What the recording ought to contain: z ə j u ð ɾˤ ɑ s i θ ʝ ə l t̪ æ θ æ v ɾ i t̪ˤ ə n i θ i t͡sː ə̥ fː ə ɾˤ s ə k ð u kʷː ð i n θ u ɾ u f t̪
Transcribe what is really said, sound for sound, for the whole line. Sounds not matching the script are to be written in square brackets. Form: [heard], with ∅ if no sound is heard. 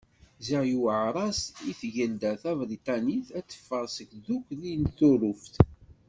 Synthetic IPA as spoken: z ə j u [ʕ] ɾˤ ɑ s i θ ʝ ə l [d̪] æ θ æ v ɾ i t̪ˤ [ɑ] n i θ [æ] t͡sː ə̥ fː ə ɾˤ s ə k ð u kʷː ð i n θ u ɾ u f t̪